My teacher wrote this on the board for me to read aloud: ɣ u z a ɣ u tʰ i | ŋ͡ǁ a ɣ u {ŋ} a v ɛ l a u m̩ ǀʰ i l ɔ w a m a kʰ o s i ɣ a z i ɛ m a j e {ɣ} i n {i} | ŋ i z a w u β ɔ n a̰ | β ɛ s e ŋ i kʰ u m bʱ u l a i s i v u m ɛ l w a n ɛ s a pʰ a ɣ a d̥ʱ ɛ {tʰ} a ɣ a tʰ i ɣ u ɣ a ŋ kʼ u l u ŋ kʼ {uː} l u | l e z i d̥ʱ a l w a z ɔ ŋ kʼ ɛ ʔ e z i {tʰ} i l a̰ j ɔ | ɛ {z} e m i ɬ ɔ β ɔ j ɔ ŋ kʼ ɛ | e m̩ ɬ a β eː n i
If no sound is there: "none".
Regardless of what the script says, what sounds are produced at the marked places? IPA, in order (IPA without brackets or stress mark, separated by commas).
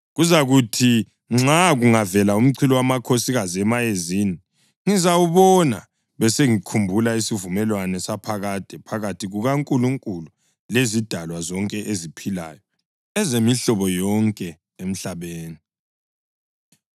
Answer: ŋ, z, i, pʰ, u, pʰ, z